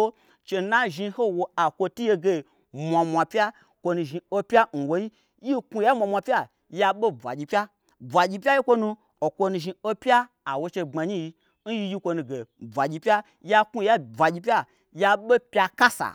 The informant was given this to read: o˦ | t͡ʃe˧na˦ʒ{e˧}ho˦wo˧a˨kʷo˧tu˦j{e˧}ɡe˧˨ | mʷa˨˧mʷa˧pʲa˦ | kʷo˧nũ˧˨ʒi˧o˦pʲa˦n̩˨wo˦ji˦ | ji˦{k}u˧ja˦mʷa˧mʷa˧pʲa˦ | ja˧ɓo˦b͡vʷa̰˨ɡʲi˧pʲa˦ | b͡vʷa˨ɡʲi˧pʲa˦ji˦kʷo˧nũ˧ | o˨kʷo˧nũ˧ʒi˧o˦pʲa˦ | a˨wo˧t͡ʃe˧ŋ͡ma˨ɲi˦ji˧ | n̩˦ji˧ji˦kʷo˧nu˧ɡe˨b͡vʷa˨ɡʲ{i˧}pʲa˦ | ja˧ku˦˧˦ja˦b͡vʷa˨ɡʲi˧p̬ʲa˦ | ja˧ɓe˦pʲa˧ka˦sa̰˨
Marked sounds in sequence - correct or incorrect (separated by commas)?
incorrect, correct, correct, correct